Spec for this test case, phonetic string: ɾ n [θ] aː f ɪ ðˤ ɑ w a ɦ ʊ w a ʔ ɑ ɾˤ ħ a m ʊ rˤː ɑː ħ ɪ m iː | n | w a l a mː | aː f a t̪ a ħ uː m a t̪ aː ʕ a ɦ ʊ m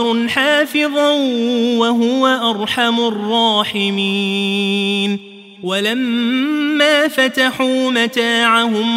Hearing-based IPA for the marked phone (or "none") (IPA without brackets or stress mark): ħ